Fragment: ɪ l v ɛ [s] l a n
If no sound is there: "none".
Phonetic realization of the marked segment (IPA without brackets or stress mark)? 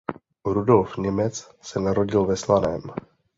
s